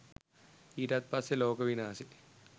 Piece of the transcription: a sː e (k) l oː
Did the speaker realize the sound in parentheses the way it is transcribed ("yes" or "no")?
no